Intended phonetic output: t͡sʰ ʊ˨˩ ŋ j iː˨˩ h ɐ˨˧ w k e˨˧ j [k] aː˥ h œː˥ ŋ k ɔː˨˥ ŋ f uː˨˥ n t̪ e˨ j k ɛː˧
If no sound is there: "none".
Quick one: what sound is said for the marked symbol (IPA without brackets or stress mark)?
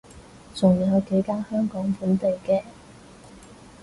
k